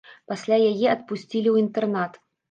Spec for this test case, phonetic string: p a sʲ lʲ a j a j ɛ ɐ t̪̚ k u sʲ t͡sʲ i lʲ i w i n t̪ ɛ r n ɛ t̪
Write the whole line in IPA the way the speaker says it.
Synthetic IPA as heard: p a sʲ lʲ a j a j ɛ ɐ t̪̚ p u sʲ t͡sʲ i lʲ i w i n t̪ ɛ r n a t̪